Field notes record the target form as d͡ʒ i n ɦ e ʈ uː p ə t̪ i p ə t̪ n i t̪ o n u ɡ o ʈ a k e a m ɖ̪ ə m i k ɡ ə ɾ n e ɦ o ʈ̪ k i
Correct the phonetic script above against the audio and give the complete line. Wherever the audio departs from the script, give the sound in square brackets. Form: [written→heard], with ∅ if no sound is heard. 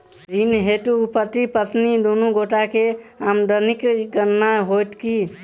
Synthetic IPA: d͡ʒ i n ɦ e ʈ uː p ə t̪ i p ə t̪ n i [t̪→d̪] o n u ɡ o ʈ a k e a m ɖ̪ ə [m→n] i k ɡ ə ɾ n [e→a] ɦ o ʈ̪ k i